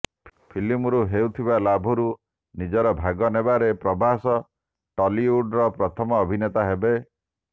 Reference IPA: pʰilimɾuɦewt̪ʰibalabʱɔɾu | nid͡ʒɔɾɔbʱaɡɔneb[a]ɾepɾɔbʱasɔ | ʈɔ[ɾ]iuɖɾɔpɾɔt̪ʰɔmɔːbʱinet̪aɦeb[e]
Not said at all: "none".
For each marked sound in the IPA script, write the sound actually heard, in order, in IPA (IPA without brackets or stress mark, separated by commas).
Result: a, l, e